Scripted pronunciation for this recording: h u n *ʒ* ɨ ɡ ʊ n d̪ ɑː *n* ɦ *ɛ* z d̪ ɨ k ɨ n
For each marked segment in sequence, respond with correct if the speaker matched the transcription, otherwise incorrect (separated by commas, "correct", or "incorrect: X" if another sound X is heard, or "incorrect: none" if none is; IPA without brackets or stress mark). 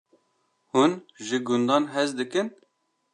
correct, correct, correct